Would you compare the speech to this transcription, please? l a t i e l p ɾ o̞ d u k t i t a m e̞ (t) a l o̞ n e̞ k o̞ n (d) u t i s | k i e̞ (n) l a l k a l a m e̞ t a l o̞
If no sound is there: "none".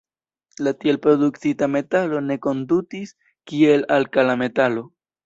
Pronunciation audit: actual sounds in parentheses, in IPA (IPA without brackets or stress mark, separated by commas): t, d, none